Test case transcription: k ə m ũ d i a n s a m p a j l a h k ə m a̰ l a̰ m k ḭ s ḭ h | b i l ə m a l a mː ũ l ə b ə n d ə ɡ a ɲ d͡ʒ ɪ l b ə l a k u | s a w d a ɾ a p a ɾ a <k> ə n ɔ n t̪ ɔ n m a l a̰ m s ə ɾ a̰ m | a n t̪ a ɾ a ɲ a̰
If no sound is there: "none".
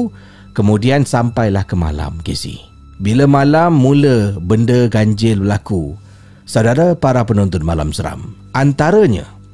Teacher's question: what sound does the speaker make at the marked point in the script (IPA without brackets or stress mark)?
p